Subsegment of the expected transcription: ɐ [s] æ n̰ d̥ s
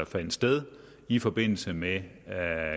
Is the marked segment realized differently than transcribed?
yes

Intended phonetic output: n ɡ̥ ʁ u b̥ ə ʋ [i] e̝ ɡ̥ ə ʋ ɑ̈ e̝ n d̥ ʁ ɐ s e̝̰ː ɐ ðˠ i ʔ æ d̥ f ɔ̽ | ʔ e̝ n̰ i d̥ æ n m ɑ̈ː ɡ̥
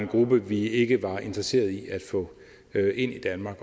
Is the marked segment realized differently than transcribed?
no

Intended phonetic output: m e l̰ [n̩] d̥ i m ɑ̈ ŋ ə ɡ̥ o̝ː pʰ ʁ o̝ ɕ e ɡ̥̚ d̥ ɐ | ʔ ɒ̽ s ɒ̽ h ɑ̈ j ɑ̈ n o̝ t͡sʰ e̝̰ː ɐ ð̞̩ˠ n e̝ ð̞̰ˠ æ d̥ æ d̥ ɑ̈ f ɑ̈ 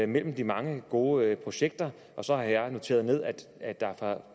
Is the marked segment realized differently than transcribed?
yes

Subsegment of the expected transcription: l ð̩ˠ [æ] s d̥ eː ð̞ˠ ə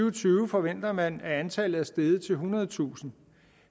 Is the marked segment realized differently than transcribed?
no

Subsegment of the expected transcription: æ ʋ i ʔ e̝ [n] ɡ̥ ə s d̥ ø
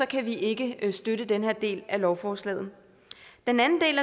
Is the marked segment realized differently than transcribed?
yes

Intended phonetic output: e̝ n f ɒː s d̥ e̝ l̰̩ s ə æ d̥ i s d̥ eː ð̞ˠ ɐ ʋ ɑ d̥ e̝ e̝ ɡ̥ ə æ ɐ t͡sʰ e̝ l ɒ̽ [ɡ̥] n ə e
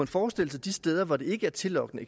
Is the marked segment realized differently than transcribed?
no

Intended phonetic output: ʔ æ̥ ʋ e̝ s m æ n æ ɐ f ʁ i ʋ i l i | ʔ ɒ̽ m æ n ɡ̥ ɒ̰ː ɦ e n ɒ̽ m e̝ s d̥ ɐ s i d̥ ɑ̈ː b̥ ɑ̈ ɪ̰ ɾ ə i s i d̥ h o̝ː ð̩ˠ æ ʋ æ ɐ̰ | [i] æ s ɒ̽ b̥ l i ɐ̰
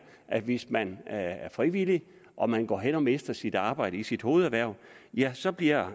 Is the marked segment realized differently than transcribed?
yes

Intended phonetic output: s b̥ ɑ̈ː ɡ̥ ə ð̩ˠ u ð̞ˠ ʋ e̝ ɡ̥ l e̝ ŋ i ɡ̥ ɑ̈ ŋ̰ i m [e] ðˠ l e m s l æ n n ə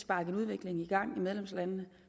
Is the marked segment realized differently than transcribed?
no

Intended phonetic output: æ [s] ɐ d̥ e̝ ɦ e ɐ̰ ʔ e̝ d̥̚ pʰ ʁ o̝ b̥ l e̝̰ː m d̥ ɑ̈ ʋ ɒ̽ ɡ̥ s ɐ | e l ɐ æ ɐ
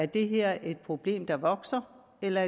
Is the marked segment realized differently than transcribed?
yes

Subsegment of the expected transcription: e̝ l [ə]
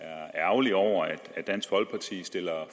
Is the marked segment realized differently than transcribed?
yes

